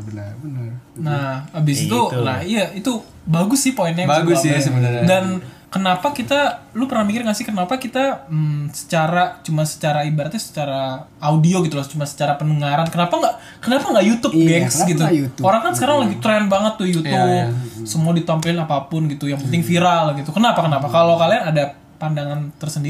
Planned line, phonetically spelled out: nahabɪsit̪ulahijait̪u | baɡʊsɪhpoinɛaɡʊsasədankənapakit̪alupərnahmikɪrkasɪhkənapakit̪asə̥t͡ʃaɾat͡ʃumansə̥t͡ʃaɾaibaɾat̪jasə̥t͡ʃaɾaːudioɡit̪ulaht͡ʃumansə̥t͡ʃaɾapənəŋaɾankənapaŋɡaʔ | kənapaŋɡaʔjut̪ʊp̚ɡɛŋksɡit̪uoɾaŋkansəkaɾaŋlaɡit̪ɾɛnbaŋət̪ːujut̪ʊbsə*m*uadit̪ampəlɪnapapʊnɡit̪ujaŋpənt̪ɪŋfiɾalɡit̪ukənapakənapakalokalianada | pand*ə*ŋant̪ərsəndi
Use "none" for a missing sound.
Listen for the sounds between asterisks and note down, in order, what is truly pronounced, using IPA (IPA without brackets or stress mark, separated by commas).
m, a